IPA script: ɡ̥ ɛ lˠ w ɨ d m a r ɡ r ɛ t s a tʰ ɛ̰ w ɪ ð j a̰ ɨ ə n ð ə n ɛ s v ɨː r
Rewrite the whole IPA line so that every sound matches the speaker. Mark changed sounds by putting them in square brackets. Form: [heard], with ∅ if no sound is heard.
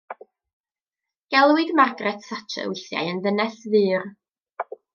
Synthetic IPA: ɡ̥ ɛ lˠ w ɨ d m a r ɡ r ɛ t s a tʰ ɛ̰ w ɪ [θ] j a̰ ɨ ə n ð ə n ɛ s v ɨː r